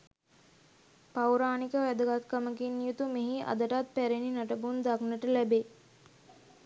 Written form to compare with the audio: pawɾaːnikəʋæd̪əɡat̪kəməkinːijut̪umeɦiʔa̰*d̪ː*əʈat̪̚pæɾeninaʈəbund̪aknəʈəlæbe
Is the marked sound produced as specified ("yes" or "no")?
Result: no